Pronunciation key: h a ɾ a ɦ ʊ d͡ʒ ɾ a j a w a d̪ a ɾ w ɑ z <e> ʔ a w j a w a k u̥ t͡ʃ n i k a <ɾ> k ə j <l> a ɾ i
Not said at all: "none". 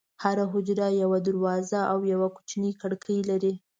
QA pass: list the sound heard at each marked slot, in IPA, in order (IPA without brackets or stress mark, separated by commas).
a, ɽ, l